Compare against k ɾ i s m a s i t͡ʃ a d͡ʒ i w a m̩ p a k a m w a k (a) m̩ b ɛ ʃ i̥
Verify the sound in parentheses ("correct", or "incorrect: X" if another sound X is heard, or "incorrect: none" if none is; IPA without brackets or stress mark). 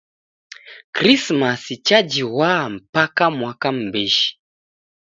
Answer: correct